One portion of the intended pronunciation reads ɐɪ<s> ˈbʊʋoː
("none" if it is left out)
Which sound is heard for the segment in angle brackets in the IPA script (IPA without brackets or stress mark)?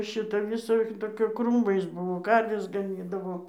s